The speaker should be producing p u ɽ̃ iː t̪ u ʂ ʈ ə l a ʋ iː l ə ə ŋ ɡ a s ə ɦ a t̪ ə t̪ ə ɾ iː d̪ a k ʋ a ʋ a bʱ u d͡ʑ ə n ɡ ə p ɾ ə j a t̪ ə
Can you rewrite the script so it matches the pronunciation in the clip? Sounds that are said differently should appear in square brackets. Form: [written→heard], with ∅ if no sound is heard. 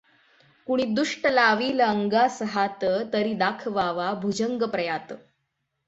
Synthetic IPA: [p→k] u ɽ̃ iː [t̪→d̪] u ʂ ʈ ə l a ʋ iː l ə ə ŋ ɡ a s ə ɦ a t̪ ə t̪ ə ɾ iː d̪ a [k→kʰ] ʋ a ʋ a bʱ u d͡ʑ ə [n→ŋ] ɡ ə p ɾ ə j a t̪ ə